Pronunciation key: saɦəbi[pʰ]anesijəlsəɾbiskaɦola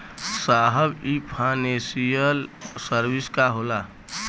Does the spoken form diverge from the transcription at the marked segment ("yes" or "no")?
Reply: no